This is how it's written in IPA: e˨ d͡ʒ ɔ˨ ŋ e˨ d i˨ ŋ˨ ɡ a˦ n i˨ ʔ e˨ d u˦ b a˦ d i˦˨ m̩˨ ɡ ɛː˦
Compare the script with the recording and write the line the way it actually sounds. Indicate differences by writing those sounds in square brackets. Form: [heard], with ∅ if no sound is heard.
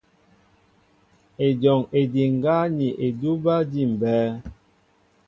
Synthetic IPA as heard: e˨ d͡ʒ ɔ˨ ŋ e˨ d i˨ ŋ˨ ɡ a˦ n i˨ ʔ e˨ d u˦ b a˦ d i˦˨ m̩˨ [b] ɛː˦